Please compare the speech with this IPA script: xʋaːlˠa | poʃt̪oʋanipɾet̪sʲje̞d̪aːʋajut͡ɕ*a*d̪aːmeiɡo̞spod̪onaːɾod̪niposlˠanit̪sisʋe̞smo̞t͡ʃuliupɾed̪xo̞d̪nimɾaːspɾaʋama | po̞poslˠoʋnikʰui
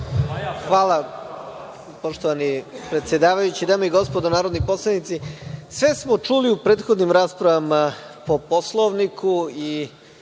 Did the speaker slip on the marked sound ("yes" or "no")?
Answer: yes